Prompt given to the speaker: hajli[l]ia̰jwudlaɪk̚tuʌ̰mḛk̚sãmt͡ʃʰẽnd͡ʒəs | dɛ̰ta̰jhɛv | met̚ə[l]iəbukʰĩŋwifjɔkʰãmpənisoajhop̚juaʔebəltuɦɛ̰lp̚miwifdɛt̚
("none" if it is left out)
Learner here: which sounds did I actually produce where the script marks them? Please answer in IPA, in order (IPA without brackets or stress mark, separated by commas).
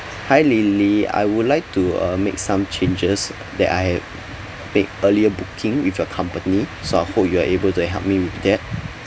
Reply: l, l